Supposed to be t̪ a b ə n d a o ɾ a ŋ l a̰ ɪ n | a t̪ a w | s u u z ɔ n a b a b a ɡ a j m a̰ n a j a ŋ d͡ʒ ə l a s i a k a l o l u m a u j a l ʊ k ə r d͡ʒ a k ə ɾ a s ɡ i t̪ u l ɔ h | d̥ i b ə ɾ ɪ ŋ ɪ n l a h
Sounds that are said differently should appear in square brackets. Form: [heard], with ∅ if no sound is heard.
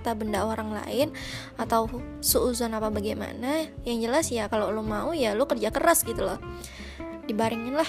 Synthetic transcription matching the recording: t̪ a b ə n d a o ɾ a ŋ l a̰ ɪ n | a t̪ a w | s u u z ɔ n a [p] a b a ɡ a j m a̰ n a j a ŋ d͡ʒ ə l a s [j] a k a l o l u m a u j a l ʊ k ə r d͡ʒ a k ə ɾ a s ɡ i t̪ u l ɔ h | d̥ i b [a] ɾ ɪ ŋ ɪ n l a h